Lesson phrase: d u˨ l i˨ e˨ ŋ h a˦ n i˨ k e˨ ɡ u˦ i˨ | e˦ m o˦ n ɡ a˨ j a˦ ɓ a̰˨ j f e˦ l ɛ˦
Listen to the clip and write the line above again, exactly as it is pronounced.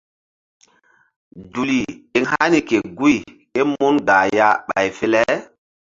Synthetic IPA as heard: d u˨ l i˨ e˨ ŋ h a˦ n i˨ k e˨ ɡ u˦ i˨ | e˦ m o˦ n ɡ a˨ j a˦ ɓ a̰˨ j f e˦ l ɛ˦